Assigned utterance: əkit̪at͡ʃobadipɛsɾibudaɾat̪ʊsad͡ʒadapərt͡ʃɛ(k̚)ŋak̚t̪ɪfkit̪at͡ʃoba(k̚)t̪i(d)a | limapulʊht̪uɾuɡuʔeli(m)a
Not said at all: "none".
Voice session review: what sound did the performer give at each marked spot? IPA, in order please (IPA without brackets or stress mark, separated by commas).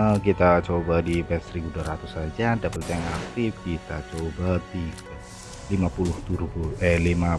none, none, ɡ, m